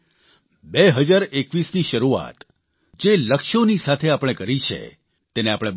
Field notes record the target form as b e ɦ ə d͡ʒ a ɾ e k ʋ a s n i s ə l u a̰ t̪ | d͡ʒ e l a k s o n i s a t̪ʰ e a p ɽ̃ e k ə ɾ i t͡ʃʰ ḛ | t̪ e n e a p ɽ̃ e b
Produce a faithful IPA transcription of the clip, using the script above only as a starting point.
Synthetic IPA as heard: b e ɦ ə d͡ʒ a ɾ e k ʋ i s n i ʃ ə ɾ u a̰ t̪ | d͡ʒ e l ə k ʃ o n i s a t̪ʰ e a p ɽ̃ e k ə ɾ i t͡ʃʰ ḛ | t̪ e n e a p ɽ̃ e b